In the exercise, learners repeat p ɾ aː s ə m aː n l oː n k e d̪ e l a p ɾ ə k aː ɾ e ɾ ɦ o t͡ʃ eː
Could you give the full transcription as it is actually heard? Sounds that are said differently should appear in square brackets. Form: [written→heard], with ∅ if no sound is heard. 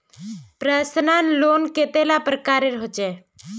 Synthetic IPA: p ɾ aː s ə [m→n] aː n l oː n k e [d̪→t̪] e l a p ɾ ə k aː ɾ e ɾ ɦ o t͡ʃ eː